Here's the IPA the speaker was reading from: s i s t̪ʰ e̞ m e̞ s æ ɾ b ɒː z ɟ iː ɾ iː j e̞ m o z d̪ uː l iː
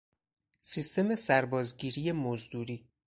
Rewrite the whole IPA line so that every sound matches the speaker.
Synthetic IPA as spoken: s i s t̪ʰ e̞ m e̞ s æ ɾ b ɒː z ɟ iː ɾ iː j e̞ m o z d̪ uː ɾ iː